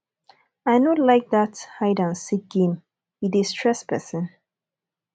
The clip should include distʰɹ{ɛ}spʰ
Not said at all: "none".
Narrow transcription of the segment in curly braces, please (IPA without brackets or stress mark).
ɛ